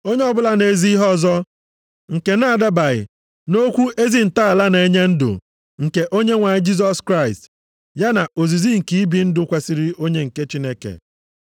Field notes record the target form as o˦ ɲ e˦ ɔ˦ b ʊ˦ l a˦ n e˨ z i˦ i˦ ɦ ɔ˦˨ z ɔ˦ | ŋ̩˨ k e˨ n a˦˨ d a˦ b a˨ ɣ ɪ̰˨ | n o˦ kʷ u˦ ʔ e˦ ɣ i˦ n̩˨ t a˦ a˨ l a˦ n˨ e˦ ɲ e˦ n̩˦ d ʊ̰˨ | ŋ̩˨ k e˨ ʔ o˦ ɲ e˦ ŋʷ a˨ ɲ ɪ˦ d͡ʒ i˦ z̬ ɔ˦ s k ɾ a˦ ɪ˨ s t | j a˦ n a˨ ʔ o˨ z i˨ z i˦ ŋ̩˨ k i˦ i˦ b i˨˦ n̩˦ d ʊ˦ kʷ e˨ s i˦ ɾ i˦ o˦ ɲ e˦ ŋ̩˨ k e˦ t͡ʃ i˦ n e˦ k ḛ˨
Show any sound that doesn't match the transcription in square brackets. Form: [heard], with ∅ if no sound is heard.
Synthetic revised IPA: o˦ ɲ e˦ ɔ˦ b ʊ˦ l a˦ n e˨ z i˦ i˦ ɦ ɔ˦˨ z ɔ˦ | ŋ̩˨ k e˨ n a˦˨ d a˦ b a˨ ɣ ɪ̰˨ | n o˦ kʷ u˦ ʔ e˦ [z] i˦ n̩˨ t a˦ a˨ l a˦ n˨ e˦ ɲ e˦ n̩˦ d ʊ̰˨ | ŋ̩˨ k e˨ ʔ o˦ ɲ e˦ ŋʷ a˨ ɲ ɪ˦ d͡ʒ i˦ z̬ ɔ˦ s k ɾ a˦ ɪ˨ s t | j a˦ n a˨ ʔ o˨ z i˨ z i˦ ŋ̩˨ k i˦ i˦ b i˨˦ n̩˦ d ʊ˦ kʷ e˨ s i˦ ɾ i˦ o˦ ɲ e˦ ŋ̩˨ k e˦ t͡ʃ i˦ n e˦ k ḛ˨

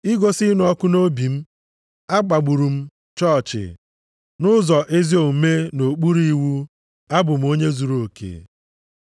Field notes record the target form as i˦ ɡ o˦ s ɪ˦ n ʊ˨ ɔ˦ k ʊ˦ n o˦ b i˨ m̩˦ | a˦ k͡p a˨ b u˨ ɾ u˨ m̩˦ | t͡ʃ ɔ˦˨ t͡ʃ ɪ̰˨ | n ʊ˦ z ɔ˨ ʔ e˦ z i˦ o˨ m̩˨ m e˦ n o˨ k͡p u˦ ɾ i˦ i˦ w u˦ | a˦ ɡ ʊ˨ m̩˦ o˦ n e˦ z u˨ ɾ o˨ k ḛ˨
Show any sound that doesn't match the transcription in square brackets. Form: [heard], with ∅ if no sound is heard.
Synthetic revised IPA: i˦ ɡ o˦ s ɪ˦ n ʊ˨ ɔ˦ k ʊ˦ n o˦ b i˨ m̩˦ | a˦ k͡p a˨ [ɡ͡b] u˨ ɾ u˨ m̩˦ | t͡ʃ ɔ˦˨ t͡ʃ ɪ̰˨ | n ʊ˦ z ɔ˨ ʔ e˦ z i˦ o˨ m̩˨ m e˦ n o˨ k͡p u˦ ɾ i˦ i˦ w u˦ | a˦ [b] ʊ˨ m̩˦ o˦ [ɲ] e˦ z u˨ ɾ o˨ k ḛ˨

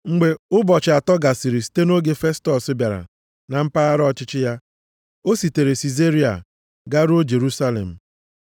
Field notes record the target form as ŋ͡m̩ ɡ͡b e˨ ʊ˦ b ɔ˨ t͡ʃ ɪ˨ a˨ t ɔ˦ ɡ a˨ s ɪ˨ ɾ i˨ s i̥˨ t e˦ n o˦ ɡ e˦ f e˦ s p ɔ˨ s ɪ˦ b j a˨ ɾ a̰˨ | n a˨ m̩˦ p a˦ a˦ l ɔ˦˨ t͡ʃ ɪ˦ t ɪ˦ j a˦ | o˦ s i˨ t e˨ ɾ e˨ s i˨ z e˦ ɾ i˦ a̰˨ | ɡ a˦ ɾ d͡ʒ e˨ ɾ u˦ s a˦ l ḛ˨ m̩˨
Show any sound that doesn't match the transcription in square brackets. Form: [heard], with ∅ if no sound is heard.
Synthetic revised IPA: ŋ͡m̩ ɡ͡b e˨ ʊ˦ b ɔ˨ t͡ʃ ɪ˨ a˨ t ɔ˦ ɡ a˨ s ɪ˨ ɾ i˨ s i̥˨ t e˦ n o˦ ɡ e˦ f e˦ s [t] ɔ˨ s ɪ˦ b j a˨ ɾ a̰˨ | n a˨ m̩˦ p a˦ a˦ [ɾ] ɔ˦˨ t͡ʃ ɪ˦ [t͡ʃ] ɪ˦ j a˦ | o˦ s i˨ t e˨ ɾ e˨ s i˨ z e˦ ɾ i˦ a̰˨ | ɡ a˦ ɾ d͡ʒ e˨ ɾ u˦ s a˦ l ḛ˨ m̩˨

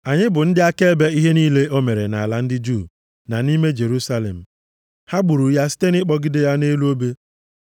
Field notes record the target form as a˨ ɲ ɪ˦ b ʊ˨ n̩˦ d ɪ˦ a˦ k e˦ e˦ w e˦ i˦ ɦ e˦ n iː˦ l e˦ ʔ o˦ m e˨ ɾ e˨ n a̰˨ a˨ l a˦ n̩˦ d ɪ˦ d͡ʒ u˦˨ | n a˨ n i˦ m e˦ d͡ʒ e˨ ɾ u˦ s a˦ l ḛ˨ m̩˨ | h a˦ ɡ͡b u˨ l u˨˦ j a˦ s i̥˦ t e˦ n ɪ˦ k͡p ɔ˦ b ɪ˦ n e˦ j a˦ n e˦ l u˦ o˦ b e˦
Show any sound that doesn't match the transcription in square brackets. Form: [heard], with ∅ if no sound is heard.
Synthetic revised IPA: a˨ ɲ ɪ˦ b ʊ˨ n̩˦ d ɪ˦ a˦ k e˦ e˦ [b] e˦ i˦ ɦ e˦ n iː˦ l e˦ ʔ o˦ m e˨ ɾ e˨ n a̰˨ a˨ l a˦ n̩˦ d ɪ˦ d͡ʒ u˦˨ | n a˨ n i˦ m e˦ d͡ʒ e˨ ɾ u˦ s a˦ l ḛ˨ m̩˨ | h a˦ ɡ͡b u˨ [ɾ] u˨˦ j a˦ s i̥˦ t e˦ n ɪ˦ k͡p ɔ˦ [ɡ] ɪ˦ [d] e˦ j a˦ n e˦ l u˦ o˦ b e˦

